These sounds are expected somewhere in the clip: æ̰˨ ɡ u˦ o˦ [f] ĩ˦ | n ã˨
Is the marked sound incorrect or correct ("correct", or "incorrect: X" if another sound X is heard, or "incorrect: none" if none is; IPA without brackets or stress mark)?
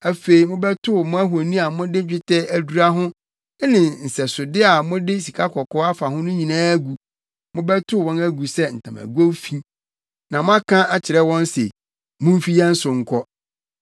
correct